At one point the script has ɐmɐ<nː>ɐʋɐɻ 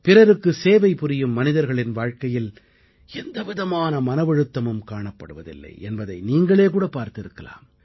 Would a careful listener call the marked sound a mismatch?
yes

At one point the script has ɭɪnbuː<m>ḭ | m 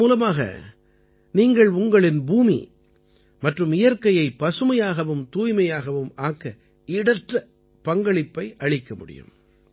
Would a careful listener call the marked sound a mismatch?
no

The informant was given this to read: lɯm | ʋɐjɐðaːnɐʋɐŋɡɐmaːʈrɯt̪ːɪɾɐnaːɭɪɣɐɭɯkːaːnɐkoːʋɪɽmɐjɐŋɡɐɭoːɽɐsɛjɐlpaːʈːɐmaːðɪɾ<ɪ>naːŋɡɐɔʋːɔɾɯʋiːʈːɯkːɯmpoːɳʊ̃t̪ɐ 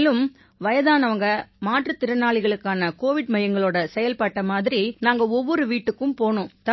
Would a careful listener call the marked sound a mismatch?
yes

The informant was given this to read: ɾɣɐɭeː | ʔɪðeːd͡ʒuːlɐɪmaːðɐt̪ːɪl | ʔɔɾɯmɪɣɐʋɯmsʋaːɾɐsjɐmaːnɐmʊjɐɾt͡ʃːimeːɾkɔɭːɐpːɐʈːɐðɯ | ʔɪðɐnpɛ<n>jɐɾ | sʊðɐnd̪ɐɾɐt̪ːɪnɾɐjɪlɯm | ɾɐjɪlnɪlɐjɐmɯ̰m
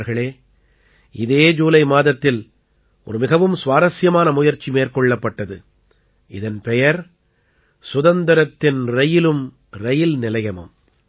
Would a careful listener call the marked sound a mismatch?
yes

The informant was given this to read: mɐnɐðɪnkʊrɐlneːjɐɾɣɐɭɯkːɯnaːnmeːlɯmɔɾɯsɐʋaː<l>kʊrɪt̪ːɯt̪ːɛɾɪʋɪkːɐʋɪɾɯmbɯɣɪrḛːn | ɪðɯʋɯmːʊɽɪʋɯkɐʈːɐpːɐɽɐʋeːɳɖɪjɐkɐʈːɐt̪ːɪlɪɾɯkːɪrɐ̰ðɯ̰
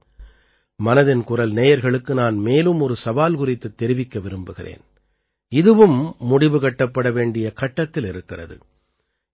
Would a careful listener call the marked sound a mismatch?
no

